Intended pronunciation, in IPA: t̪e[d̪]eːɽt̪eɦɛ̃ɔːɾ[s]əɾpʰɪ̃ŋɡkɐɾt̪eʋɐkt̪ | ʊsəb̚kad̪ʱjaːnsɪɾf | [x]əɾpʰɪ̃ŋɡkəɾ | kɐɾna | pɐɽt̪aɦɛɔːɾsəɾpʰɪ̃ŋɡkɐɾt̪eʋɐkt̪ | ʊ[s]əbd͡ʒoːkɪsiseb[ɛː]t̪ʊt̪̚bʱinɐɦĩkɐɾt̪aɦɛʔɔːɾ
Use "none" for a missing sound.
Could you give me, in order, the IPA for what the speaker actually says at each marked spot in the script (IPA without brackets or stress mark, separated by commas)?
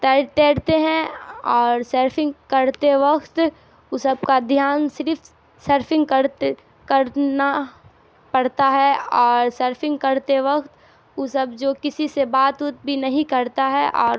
t̪, s, s, s, aː